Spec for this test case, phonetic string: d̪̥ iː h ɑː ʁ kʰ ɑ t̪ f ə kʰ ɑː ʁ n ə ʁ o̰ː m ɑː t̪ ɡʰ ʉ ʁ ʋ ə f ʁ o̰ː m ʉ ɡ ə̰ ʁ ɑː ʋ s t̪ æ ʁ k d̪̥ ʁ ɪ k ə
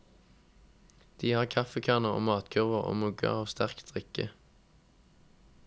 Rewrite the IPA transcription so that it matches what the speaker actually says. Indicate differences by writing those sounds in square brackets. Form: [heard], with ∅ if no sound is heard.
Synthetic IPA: d̪̥ iː h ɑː ʁ kʰ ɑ [∅] f ə kʰ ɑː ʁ n ə ʁ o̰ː m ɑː t̪ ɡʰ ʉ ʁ ʋ ə [∅] ʁ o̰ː m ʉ ɡ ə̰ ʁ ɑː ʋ s t̪ æ ʁ k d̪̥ ʁ ɪ k ə